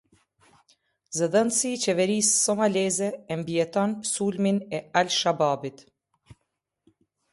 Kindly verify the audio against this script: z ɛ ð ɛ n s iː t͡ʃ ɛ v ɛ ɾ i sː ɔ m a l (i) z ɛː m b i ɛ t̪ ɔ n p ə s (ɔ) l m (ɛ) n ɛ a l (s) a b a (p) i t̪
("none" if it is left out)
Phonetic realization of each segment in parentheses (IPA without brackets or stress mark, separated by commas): ɛ, u, i, ʃ, b